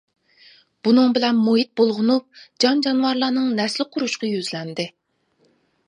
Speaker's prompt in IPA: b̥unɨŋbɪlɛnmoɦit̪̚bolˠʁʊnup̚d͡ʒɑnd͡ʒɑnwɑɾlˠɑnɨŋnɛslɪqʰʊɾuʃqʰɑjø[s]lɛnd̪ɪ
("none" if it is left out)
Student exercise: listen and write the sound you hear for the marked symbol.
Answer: z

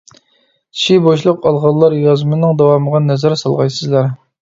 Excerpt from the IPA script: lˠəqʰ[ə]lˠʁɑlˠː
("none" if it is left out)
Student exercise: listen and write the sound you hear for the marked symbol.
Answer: ɑ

